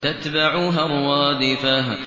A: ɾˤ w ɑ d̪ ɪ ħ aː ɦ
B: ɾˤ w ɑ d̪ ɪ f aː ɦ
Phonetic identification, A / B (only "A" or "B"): B